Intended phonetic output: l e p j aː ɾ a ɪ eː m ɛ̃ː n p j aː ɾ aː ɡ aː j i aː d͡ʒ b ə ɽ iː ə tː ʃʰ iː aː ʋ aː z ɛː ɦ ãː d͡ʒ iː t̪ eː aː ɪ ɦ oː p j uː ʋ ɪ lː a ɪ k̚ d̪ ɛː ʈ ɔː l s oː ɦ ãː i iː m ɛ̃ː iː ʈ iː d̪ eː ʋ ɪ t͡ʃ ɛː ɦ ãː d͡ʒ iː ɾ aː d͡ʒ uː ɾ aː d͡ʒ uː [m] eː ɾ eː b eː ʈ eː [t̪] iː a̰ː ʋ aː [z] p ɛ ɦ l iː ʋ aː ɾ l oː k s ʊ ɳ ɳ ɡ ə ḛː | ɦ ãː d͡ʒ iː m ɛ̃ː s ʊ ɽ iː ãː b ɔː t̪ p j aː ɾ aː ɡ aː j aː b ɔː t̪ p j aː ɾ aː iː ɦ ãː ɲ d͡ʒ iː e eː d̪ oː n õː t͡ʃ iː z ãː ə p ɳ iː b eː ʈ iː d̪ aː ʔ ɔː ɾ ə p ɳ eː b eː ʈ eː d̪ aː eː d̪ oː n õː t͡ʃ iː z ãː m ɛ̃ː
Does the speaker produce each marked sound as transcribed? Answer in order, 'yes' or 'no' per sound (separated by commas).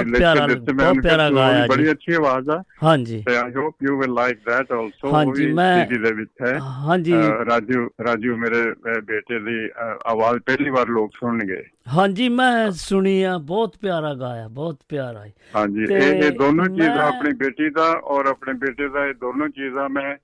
yes, no, yes